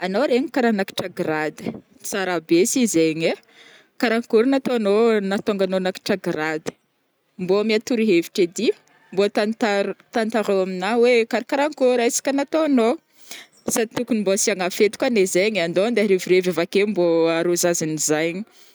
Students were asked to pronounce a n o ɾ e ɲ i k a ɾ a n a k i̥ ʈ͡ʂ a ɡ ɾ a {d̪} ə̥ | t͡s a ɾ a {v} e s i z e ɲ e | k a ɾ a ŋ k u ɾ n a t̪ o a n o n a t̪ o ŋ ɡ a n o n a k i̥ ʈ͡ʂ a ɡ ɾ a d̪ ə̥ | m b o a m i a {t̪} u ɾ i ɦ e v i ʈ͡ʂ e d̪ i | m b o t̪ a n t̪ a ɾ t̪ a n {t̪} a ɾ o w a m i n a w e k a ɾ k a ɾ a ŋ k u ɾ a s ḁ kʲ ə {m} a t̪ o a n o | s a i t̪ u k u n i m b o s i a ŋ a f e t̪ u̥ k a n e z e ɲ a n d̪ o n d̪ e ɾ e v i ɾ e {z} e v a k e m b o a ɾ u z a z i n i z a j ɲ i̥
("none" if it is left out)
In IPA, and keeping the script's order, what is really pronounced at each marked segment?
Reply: d̪, b, t̪, t̪, n, v

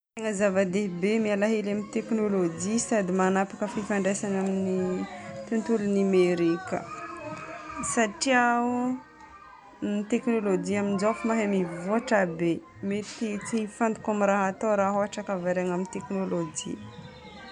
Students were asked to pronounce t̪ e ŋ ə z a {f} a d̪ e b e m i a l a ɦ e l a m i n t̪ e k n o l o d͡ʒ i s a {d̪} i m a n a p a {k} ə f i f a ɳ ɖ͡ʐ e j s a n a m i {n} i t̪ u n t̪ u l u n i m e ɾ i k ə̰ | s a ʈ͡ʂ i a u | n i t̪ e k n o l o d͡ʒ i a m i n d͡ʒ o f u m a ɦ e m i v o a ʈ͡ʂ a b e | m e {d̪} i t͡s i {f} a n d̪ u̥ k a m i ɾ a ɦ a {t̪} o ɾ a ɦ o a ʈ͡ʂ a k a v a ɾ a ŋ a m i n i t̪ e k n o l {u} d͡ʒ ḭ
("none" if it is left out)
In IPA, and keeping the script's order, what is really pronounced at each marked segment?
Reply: v, d̪, k, n, t̪, f, t̪, o

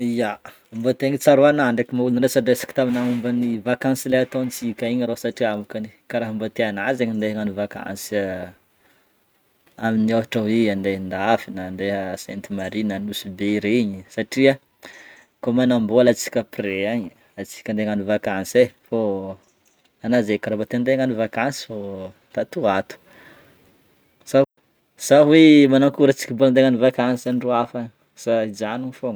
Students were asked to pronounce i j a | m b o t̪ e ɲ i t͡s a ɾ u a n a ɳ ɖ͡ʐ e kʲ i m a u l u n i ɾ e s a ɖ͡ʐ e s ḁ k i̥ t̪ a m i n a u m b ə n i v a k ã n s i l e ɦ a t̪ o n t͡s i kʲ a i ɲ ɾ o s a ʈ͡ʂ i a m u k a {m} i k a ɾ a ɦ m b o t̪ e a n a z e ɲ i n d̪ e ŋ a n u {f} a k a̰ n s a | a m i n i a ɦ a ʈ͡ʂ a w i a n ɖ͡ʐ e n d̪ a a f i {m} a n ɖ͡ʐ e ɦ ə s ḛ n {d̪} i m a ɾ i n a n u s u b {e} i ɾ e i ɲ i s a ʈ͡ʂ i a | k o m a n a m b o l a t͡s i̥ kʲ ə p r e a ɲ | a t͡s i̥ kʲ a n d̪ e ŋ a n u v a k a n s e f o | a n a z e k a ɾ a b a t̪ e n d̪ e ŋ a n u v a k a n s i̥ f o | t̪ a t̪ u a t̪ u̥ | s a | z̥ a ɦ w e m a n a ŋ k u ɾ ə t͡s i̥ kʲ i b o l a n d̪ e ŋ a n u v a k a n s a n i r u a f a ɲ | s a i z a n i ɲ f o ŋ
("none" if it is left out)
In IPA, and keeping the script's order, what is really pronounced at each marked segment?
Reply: n, v, n, t̪, e

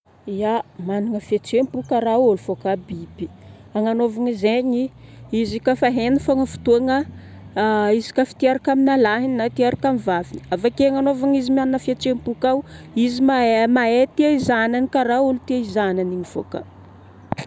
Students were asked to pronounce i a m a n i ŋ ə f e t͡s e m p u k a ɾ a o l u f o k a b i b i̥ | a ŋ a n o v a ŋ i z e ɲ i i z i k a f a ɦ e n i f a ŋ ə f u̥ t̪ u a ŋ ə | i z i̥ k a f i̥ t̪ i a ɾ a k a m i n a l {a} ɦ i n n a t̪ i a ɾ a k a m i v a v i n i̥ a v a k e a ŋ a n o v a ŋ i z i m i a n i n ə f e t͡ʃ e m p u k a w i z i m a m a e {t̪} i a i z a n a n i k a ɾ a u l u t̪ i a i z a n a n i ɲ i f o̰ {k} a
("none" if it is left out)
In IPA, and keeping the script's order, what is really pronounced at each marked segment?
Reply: a, t̪, k

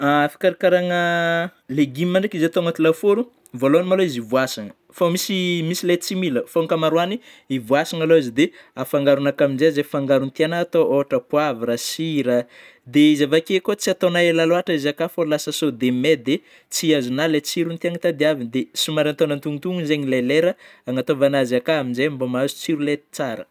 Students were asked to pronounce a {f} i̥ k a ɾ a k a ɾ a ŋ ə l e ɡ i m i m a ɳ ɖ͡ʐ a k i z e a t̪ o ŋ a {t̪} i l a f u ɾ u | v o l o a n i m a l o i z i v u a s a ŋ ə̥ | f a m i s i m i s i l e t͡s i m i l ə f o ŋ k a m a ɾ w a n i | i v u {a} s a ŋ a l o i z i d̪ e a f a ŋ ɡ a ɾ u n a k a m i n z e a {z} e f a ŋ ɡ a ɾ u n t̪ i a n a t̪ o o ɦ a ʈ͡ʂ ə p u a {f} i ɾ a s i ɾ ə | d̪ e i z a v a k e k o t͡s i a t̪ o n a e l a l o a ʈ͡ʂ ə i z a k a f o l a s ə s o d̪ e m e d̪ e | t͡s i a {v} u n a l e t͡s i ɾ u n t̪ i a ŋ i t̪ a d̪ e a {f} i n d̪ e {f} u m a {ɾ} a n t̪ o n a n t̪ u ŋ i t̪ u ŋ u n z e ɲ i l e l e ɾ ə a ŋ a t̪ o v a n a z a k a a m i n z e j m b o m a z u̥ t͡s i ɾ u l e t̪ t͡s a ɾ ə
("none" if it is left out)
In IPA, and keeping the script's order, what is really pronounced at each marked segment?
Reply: f, t̪, a, z, v, z, v, s, ɾ

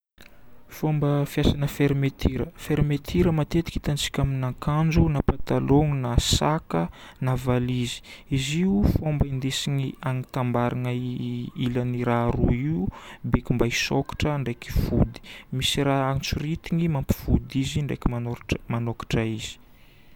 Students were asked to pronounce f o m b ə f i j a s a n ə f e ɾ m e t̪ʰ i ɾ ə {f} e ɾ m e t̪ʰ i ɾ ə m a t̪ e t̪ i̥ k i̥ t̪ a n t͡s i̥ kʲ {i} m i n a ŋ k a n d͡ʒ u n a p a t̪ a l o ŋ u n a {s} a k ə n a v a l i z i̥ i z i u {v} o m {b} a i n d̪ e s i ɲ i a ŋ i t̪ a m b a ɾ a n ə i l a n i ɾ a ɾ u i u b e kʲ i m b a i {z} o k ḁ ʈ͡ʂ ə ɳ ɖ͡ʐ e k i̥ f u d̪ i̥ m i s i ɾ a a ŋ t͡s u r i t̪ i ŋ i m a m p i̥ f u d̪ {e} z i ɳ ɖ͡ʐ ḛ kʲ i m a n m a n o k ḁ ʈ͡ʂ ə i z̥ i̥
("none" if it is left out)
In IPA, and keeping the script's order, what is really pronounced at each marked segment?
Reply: f, a, s, f, b, s, i

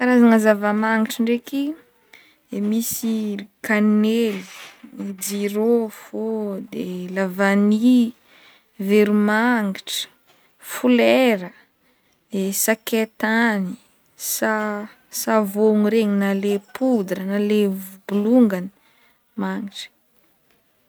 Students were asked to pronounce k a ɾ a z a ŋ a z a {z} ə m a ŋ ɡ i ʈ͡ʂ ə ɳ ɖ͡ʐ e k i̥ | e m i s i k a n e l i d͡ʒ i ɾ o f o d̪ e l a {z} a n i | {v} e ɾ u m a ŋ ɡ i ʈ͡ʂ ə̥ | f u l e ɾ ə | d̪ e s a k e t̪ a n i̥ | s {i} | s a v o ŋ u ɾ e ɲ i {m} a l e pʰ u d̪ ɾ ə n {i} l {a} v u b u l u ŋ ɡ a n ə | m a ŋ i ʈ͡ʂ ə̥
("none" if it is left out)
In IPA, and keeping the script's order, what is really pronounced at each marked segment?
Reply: v, v, v, a, n, a, e

